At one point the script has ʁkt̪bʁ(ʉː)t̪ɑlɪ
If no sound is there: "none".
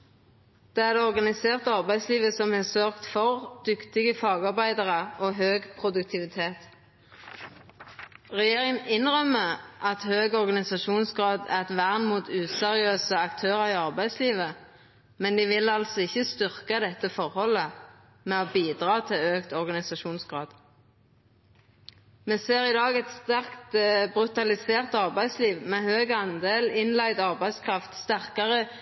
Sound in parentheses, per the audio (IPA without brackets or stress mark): ʉ